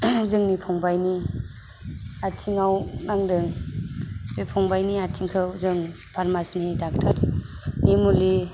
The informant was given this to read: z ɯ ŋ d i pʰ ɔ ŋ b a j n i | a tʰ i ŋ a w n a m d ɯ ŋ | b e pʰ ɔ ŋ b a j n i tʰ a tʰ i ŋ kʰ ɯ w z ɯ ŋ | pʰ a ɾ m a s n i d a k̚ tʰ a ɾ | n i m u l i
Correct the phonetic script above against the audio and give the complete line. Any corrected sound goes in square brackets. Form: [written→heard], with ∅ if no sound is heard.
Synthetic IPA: z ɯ ŋ [d→n] i pʰ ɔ ŋ b a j n i | a tʰ i ŋ a w n a [m→ŋ] d ɯ ŋ | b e pʰ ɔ ŋ b a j n i [tʰ→∅] a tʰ i ŋ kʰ ɯ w z ɯ ŋ | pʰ a ɾ m a s n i d a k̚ tʰ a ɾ | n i m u l i